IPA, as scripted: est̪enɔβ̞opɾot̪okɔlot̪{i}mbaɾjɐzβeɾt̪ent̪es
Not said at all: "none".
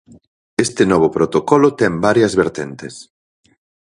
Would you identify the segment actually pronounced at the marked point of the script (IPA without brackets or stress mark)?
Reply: ɛ